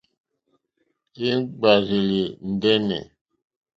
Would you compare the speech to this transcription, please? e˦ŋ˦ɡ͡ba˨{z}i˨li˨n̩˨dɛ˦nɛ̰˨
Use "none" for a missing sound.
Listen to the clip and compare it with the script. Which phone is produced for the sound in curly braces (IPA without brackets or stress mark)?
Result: z